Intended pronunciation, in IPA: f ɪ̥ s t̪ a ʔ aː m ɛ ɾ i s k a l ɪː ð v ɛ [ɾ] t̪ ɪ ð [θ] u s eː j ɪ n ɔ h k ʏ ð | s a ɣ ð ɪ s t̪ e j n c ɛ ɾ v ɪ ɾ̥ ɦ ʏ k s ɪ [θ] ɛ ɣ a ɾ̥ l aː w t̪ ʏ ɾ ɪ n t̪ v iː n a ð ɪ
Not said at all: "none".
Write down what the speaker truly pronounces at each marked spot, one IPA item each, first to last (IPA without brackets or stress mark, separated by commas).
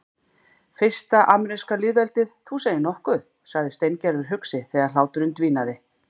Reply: l, θ, θ